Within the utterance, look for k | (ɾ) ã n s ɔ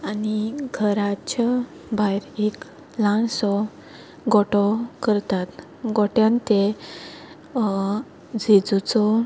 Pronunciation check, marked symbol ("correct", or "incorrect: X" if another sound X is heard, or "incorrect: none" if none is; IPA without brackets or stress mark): incorrect: l